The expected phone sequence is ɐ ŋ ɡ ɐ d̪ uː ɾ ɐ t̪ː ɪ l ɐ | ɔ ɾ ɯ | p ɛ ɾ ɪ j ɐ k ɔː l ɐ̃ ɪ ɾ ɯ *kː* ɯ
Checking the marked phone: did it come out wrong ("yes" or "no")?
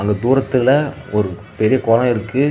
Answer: no